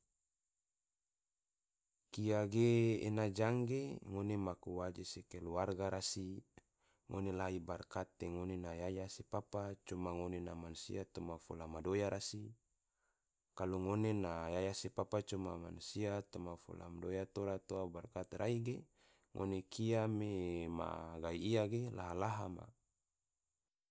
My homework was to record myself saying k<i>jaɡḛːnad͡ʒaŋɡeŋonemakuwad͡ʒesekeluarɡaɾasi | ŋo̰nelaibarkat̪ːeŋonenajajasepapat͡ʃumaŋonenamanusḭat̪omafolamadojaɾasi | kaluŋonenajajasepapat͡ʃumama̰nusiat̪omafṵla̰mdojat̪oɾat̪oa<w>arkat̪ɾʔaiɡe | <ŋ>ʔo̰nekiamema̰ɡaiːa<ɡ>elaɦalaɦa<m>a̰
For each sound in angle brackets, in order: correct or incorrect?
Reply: correct, incorrect: b, correct, correct, correct

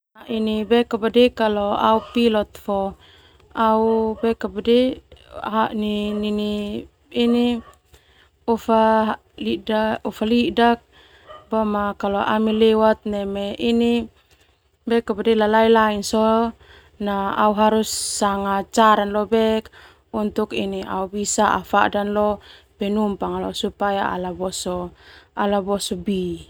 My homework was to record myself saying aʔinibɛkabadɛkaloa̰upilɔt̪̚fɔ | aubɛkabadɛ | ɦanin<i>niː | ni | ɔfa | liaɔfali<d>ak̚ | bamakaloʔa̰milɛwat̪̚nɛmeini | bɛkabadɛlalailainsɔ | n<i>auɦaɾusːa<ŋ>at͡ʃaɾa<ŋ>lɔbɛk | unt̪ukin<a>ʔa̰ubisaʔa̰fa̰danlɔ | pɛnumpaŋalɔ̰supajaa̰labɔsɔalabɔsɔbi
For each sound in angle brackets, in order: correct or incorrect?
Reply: correct, correct, incorrect: a, correct, incorrect: n, incorrect: i

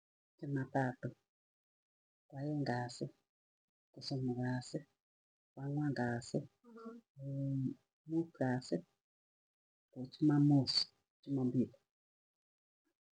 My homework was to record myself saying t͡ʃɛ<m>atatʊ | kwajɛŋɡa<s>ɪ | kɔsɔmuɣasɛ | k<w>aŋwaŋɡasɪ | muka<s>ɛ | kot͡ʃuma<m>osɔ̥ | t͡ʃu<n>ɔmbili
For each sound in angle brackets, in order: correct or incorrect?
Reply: correct, correct, correct, correct, correct, incorrect: m

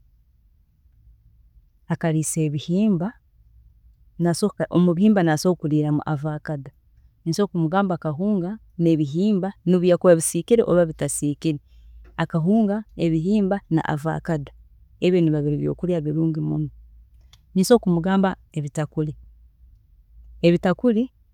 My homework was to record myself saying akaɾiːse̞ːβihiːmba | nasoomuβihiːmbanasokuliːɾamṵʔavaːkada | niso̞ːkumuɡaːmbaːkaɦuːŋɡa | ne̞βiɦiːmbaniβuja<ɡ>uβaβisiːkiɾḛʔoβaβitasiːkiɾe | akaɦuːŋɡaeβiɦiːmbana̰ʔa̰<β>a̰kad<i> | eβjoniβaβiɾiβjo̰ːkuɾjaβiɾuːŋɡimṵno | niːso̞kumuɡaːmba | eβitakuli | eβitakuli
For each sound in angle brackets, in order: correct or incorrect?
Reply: incorrect: k, incorrect: v, incorrect: a

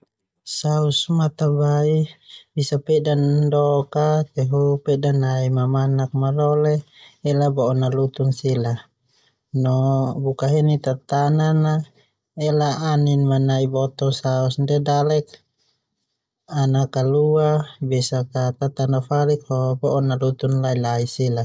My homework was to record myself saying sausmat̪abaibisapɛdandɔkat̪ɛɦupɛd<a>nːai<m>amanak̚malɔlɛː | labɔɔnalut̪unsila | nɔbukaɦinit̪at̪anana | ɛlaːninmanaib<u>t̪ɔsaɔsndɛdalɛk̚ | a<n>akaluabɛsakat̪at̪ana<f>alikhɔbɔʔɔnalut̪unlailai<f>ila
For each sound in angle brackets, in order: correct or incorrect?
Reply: correct, correct, incorrect: ɔ, correct, correct, incorrect: s

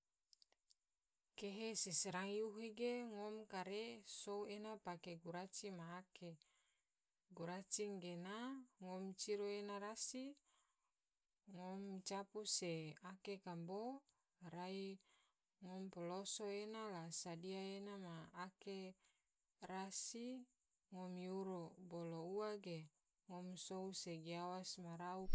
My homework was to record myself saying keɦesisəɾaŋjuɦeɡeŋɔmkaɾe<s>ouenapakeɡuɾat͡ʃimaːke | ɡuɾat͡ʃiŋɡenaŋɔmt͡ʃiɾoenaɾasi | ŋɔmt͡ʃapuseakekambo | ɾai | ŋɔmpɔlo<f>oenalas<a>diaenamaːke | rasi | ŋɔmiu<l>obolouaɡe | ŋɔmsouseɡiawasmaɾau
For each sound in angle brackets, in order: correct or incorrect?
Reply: correct, incorrect: s, correct, incorrect: ɾ

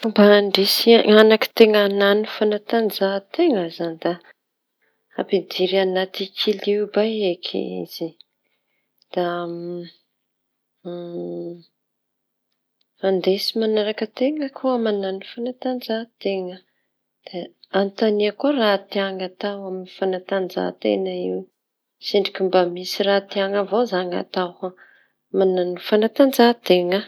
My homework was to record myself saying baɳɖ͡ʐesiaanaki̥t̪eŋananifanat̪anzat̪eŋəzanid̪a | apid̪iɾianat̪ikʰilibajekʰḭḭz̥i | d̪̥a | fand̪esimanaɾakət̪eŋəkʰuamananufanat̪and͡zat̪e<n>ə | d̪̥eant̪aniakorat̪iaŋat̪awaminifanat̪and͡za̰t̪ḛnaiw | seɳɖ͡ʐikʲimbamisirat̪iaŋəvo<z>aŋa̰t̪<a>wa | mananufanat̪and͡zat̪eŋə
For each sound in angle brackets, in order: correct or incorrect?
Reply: incorrect: ŋ, correct, correct

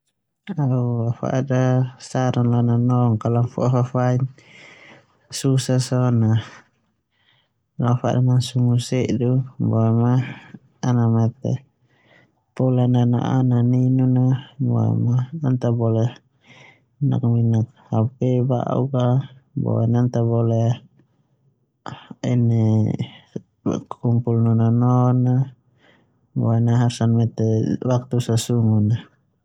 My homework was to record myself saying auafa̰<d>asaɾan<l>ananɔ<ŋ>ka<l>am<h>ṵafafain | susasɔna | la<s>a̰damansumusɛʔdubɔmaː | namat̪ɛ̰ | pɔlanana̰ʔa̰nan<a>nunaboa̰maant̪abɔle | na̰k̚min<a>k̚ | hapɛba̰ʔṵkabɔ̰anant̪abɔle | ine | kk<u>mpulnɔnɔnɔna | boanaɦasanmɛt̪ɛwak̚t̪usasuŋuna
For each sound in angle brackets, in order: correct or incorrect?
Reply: correct, correct, correct, correct, incorrect: f, incorrect: f, incorrect: i, correct, correct

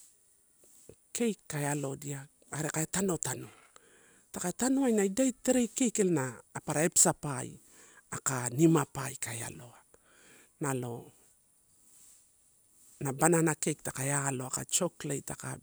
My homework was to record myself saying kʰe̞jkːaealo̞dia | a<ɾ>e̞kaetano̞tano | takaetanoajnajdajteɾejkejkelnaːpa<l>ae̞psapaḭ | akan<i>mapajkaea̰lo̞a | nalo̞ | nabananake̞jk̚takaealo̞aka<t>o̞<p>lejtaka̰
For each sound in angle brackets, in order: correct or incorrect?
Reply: correct, incorrect: ɾ, correct, incorrect: t͡ʃ, incorrect: k

